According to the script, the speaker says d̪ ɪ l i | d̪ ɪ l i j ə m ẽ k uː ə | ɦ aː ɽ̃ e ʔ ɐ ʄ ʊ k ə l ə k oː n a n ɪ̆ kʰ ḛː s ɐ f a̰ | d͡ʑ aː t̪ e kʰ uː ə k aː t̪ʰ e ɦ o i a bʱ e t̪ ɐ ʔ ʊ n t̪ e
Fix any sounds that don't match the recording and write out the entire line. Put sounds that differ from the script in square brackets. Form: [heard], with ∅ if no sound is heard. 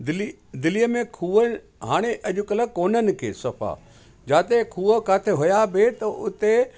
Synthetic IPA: d̪ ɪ l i | d̪ ɪ l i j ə m ẽ [kʰ] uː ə | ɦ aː ɽ̃ e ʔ ɐ ʄ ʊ k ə l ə k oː n [ə] n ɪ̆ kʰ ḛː s ɐ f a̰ | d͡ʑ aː t̪ e kʰ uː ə k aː t̪ʰ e ɦ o [j] a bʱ e t̪ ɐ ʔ ʊ [∅] t̪ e

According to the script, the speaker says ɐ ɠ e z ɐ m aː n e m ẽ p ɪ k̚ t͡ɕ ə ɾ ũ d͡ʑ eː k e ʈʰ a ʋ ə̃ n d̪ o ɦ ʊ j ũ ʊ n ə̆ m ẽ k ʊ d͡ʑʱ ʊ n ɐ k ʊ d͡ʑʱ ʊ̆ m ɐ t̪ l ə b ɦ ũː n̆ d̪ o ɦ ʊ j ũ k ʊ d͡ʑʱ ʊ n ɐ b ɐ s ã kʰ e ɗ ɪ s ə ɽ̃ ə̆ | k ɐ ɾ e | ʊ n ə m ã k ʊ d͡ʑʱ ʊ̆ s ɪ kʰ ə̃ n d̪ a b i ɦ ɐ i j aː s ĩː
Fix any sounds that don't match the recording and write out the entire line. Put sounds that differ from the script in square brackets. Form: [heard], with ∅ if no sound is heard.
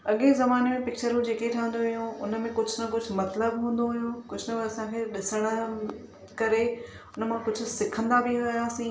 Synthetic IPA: ɐ ɠ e z ɐ m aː n e m ẽ p ɪ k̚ t͡ɕ ə ɾ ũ d͡ʑ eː k e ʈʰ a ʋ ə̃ n d̪ o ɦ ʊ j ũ ʊ n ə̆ m ẽ k ʊ d͡ʑʱ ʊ n ɐ k ʊ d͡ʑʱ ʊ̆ m ɐ t̪ l ə b ɦ ũː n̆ d̪ o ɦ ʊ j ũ k ʊ d͡ʑʱ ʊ n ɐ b ɐ s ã kʰ e ɗ ɪ s ə ɽ̃ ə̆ | k ɐ ɾ e | ʊ n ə m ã k ʊ d͡ʑʱ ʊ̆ s ɪ kʰ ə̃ n d̪ a b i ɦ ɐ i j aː s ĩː

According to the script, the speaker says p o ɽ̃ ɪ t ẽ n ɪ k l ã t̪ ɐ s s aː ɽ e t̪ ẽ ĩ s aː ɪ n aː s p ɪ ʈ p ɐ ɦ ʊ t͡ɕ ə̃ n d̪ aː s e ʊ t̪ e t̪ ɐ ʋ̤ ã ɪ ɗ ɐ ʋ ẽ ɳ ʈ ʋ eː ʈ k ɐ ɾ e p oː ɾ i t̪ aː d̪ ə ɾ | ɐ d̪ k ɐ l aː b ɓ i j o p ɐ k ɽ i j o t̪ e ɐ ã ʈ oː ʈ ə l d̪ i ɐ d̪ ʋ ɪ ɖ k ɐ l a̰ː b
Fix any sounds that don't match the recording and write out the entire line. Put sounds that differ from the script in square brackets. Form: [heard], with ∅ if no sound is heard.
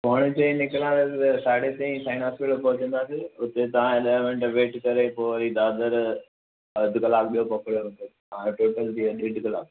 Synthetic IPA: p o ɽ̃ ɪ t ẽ n ɪ k l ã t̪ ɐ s s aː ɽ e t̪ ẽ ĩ s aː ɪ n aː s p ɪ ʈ p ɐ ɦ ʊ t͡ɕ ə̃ n d̪ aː s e ʊ t̪ e t̪ ɐ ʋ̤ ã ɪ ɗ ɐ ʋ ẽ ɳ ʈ ʋ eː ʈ k ɐ ɾ e p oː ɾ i [d̪] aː d̪ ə ɾ | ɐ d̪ k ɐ l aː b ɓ i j o p ɐ k ɽ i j o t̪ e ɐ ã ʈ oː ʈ ə l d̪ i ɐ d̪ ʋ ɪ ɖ k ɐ l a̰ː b

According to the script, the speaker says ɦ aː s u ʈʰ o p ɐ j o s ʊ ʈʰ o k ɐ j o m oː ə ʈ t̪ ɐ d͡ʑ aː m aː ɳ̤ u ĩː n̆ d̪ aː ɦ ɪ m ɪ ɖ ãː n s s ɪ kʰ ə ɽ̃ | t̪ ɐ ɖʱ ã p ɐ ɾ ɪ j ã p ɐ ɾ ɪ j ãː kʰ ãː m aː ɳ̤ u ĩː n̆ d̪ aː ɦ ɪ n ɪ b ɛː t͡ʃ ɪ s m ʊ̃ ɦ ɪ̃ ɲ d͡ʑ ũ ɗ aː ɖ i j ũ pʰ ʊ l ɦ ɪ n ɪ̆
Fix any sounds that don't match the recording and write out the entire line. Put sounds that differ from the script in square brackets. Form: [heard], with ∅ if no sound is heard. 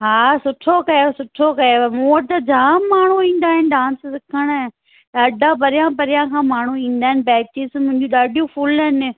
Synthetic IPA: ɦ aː s [ʊ] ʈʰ o [k] ɐ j o s ʊ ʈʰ o k ɐ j o m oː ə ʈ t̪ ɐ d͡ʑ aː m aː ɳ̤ u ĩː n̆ d̪ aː ɦ ɪ [n] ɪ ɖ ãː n s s ɪ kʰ ə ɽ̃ | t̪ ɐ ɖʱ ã p ɐ ɾ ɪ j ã p ɐ ɾ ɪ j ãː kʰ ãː m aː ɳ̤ u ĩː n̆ d̪ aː ɦ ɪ n ɪ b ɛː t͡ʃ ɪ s m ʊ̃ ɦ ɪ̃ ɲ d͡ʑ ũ ɗ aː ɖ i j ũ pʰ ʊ l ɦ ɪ n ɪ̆

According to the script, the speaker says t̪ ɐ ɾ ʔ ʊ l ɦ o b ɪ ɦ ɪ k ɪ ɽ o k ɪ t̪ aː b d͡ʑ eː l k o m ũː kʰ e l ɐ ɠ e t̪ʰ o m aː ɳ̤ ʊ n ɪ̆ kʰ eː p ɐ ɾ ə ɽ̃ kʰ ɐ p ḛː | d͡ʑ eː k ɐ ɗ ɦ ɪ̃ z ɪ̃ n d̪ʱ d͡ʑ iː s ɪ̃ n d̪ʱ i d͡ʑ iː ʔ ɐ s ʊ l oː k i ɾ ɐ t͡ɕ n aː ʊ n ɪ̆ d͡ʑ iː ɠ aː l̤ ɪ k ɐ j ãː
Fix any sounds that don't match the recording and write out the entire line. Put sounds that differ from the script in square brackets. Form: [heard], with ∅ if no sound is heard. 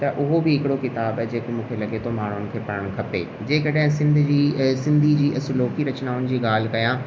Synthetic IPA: t̪ ɐ [∅] ʔ ʊ [∅] ɦ o b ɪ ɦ ɪ k ɪ ɽ o k ɪ t̪ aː b d͡ʑ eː [∅] k o m ũː kʰ e l ɐ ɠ e t̪ʰ o m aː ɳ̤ ʊ n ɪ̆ kʰ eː p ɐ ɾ ə ɽ̃ kʰ ɐ p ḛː | d͡ʑ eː k ɐ ɗ ɦ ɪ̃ [s] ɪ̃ n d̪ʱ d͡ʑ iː s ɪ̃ n d̪ʱ i d͡ʑ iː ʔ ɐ s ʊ l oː k i ɾ ɐ t͡ɕ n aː ʊ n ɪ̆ d͡ʑ iː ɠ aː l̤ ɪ k ɐ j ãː

